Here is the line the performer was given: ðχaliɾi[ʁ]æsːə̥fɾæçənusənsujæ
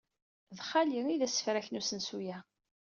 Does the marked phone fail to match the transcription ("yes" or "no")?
yes